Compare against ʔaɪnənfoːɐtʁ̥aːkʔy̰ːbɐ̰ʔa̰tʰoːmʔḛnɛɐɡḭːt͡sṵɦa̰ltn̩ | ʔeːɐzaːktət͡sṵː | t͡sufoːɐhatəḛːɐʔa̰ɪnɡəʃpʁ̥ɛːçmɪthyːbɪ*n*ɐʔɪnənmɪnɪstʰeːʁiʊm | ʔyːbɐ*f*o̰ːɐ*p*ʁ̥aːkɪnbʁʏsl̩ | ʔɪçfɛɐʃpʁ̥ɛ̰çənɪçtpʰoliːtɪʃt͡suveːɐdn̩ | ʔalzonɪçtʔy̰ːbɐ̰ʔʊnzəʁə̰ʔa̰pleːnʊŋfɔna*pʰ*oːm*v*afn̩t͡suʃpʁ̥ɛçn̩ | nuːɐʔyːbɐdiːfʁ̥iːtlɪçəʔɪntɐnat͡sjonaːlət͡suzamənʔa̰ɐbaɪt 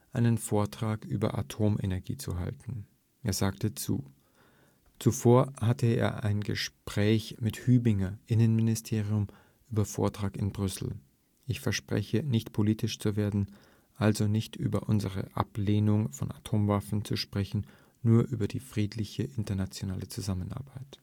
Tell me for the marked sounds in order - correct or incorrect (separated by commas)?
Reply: incorrect, correct, incorrect, incorrect, correct